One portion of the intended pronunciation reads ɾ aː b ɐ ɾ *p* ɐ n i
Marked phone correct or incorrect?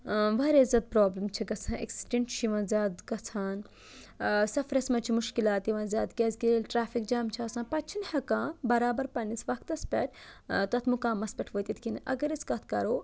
correct